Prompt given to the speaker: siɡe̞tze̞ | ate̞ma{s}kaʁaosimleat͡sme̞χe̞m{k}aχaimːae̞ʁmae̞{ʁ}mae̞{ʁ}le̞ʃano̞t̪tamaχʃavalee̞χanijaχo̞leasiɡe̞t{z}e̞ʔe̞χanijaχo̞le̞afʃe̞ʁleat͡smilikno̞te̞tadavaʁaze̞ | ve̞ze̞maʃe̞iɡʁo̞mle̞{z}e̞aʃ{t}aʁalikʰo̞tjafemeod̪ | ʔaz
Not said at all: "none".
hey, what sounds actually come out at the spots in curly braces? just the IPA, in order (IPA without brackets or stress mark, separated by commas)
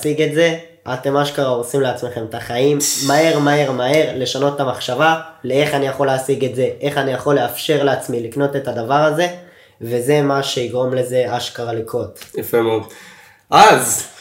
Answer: ʃ, t, ʁ, ʁ, z, z, k